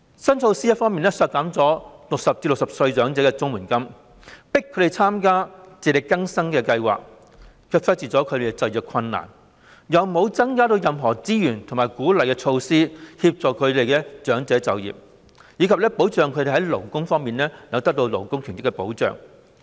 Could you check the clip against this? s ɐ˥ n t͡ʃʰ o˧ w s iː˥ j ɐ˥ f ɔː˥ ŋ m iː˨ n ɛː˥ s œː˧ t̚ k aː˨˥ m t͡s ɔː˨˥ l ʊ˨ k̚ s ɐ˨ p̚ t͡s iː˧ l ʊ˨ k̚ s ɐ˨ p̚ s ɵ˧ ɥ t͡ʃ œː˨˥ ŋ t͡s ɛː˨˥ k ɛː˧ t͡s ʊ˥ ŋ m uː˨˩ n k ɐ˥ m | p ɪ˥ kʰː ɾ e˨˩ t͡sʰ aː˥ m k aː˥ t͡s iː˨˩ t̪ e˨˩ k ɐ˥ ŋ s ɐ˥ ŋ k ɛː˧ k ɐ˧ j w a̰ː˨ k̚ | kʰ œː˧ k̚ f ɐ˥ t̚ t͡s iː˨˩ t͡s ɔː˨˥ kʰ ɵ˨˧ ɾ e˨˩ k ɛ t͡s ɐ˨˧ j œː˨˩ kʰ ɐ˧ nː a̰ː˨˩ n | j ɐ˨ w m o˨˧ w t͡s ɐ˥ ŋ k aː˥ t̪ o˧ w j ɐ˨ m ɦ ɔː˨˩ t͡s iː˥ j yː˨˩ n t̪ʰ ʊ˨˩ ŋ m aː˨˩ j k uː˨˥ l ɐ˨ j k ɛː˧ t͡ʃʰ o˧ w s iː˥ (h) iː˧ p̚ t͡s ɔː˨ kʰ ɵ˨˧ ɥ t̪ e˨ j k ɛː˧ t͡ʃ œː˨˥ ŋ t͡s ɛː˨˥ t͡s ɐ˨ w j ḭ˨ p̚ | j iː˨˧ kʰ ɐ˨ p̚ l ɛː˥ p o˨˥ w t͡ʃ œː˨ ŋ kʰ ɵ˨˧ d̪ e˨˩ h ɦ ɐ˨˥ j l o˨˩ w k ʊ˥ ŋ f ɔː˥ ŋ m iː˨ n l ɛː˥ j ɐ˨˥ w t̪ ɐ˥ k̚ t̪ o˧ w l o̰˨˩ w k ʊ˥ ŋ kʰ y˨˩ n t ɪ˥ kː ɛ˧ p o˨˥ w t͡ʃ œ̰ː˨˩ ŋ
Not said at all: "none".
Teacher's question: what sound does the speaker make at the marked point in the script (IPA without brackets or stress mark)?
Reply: h